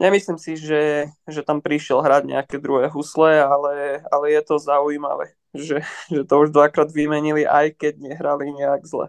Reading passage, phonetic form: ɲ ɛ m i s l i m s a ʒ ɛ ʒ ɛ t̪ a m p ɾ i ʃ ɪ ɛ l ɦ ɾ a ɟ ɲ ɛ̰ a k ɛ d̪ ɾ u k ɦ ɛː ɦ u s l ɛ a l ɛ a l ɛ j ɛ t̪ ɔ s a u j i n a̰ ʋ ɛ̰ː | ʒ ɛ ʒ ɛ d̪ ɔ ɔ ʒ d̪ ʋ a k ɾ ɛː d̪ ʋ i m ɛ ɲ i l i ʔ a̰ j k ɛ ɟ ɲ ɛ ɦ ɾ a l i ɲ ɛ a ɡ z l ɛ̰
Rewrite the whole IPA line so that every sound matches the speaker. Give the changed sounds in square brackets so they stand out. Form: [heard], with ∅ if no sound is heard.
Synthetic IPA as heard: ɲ ɛ m i s l i m s [i] ʒ ɛ ʒ ɛ t̪ a m p ɾ i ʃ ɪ ɛ l ɦ ɾ a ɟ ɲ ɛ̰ a k ɛ d̪ ɾ u [∅] ɦ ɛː ɦ u s l ɛ a l ɛ a l ɛ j ɛ t̪ ɔ [z] a u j i [m] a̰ ʋ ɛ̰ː | ʒ ɛ ʒ ɛ [t̪] ɔ [u] ʒ d̪ ʋ a k ɾ [aː] d̪ ʋ i m ɛ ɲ i l i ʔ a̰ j k ɛ ɟ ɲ ɛ ɦ ɾ a l i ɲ ɛ a ɡ z l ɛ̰